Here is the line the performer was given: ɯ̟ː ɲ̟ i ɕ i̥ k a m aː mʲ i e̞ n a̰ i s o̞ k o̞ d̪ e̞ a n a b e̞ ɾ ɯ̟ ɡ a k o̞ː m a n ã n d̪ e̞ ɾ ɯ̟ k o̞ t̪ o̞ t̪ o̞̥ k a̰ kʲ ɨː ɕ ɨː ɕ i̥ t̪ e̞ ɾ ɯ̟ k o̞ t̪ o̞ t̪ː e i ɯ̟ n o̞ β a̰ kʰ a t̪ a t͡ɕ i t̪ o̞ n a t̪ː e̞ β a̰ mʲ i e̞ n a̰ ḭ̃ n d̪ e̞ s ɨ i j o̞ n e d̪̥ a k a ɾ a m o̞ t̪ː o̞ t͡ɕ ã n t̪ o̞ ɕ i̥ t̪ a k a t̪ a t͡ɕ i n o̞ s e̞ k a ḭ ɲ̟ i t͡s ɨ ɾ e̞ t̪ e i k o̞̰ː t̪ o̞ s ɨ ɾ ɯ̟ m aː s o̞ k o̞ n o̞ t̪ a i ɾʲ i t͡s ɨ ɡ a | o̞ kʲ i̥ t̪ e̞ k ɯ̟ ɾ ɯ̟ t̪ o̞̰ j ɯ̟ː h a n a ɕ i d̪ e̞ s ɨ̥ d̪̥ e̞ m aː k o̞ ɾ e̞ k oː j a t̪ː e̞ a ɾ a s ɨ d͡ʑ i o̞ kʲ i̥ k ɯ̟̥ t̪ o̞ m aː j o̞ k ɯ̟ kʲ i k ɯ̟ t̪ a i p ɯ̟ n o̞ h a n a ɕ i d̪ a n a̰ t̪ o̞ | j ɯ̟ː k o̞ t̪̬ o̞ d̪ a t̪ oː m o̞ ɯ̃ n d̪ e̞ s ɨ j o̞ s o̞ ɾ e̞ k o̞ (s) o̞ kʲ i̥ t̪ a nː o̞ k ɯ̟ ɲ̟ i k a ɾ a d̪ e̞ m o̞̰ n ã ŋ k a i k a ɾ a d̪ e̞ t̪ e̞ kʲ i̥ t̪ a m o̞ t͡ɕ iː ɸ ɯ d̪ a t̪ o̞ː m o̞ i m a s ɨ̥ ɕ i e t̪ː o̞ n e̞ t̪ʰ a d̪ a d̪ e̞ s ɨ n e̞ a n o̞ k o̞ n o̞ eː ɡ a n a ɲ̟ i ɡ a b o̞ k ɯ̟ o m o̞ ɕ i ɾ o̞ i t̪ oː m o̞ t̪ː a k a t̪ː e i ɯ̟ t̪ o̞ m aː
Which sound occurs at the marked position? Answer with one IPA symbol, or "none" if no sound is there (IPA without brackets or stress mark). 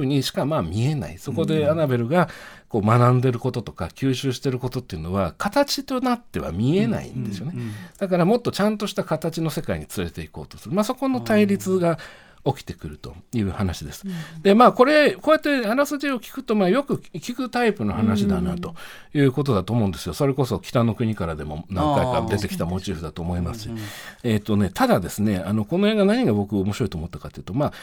s